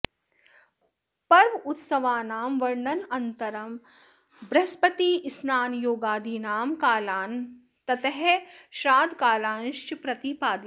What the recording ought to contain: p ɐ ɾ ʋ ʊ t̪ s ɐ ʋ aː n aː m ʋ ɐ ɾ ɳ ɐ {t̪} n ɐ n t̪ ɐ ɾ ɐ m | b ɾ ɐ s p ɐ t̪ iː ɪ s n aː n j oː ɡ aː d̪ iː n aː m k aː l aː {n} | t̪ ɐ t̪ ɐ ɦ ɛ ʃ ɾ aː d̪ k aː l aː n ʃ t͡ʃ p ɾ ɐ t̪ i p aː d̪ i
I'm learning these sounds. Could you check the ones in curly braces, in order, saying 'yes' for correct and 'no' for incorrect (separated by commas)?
no, yes